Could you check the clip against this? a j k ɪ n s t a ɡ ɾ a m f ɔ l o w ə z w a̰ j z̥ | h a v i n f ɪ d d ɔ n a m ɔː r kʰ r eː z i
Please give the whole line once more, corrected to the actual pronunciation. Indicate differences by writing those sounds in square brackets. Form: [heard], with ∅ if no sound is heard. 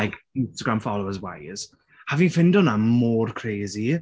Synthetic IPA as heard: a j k ɪ n s t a ɡ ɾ a m f ɔ l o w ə z w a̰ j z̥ | h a v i n f ɪ [n] d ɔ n a m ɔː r kʰ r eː z i